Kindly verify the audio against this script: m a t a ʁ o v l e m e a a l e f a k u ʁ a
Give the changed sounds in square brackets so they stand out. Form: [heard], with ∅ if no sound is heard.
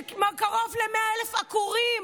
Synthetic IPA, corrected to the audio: m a [k] a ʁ o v l e m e a [e] l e f a k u ʁ [i]